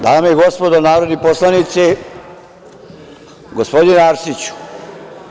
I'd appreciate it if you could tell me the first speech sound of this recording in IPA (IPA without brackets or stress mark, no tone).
d̪